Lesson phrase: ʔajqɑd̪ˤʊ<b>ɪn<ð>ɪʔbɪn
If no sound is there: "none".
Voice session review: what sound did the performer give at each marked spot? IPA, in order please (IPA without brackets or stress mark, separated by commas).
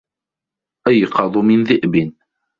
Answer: m, ð